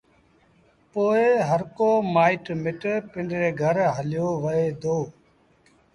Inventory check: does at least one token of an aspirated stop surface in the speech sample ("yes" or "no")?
no